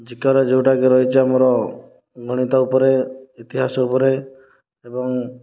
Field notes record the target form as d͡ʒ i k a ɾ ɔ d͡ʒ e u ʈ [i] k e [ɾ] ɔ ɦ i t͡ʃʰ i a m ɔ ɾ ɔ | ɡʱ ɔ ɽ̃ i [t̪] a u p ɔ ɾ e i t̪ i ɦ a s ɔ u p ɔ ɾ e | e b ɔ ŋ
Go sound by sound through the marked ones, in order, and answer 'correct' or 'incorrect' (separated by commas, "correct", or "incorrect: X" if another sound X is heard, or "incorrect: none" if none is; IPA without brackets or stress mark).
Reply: incorrect: a, correct, correct